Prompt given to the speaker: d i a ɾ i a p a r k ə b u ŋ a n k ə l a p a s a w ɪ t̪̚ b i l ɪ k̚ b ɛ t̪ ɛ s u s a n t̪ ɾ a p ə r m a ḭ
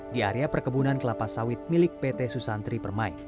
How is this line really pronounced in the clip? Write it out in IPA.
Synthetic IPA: d i a ɾ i a p ə r k ə b u n a n k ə l a p a s a w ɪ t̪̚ m i l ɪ k̚ p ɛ t̪ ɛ s u s a n t̪ ɾ i p ə r m a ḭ